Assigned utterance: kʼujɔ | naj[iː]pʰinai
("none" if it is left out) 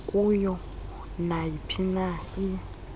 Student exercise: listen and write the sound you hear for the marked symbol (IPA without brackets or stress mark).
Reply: i